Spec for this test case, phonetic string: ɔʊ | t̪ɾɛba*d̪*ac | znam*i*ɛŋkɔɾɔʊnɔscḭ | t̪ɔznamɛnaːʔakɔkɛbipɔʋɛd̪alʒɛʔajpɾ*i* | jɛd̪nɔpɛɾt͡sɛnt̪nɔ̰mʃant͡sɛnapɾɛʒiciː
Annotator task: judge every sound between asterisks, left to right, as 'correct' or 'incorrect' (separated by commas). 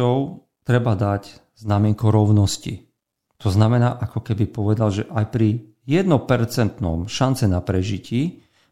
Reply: correct, incorrect, correct